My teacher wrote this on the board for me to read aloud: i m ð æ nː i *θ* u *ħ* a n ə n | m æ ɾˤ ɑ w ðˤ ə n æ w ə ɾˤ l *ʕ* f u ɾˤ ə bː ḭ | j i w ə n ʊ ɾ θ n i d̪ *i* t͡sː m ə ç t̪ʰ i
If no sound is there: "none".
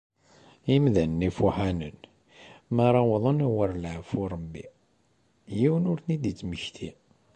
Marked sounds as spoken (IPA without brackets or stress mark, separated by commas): f, ħ, ʕ, i